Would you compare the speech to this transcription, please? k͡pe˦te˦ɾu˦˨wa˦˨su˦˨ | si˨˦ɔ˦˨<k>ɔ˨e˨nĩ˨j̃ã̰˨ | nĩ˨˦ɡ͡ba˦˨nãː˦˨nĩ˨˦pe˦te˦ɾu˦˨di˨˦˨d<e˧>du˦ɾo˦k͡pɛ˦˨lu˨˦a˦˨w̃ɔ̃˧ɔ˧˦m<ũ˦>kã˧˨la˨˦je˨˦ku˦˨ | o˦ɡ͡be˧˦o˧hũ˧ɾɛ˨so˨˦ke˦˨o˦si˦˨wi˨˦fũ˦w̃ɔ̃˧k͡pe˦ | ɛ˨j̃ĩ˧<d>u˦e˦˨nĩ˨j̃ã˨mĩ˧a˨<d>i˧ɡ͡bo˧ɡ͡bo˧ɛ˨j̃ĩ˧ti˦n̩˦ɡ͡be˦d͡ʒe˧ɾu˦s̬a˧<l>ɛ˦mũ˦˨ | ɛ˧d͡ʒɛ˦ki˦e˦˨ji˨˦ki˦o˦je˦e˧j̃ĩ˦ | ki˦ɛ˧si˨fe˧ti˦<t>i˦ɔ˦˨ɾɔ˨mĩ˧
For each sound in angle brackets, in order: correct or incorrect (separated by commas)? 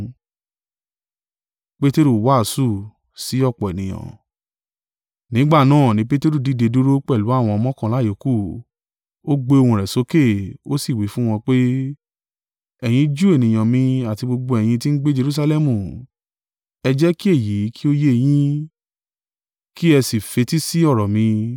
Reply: incorrect, correct, incorrect, incorrect, incorrect, correct, incorrect